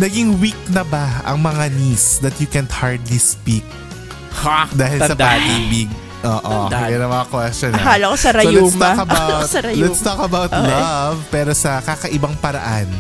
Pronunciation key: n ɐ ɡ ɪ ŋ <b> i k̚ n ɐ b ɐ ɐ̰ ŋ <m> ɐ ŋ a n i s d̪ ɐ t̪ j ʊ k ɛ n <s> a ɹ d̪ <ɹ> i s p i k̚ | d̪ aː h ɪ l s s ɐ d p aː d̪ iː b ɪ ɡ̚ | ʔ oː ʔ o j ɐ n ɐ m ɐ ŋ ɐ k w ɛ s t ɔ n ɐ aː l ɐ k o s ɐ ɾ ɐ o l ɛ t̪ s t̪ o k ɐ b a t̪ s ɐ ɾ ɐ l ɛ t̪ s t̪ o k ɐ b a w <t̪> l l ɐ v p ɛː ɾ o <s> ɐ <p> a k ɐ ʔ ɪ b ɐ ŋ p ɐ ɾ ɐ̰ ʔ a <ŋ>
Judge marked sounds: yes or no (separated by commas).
no, yes, no, no, yes, yes, no, no